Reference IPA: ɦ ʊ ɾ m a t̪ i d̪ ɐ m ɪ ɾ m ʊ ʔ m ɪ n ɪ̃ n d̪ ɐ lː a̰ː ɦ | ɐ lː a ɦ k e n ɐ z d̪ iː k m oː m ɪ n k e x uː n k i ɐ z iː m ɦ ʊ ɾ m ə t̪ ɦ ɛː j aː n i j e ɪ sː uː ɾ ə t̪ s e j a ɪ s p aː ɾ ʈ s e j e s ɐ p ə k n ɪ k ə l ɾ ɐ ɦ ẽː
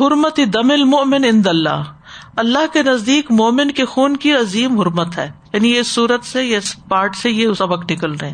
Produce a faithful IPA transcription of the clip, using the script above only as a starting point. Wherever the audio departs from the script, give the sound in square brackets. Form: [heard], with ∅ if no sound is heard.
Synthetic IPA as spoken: ɦ ʊ ɾ m [ə] t̪ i d̪ ɐ m ɪ [l] m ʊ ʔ m ɪ n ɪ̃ n d̪ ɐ lː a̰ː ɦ | ɐ lː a ɦ k e n ɐ z d̪ iː k m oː m ɪ n k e x uː n k i ɐ z iː m ɦ ʊ ɾ m ə t̪ ɦ ɛː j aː n i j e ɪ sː uː ɾ ə t̪ s e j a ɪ s p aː ɾ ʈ s e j e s ɐ [b] ə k n ɪ k ə l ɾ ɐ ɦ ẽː